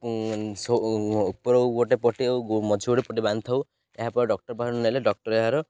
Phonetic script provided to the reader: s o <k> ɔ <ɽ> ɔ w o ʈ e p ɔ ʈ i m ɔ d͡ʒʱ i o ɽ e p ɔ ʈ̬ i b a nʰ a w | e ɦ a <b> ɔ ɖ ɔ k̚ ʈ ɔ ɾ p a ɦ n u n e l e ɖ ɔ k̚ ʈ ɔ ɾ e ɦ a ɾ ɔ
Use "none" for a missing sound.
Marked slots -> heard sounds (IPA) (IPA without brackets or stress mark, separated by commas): p, ɾ, p